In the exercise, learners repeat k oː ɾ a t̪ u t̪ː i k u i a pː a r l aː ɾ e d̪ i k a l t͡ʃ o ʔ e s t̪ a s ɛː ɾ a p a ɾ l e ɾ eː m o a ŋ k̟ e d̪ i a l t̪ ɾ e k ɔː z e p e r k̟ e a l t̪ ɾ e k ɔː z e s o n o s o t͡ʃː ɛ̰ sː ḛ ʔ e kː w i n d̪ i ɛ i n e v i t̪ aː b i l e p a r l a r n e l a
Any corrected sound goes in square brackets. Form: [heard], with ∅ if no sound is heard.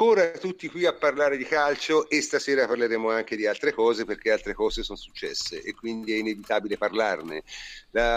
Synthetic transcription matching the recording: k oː ɾ a t̪ u t̪ː i k [w] i a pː a r l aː ɾ e d̪ i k a l t͡ʃ o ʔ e s t̪ a s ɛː ɾ a p a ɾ l e ɾ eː m o a ŋ k̟ e d̪ i a l t̪ ɾ e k ɔː z e p e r k̟ e a l t̪ ɾ e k ɔː z e s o n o s [u] t͡ʃː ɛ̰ sː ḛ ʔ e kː w i n d̪ i ɛ i n e v i t̪ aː b i l e p a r l a r n e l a